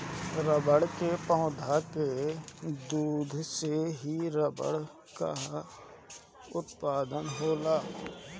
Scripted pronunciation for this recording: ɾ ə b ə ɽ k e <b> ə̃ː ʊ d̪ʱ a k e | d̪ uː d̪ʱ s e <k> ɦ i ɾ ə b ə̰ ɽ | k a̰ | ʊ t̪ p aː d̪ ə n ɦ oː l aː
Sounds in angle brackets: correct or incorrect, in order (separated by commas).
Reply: incorrect, incorrect